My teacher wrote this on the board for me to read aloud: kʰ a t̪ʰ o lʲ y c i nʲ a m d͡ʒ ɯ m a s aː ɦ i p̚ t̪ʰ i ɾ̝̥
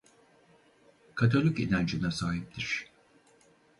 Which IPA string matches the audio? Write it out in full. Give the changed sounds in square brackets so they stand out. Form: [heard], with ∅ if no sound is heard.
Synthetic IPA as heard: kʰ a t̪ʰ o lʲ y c i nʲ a [n] d͡ʒ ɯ [n] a s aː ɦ i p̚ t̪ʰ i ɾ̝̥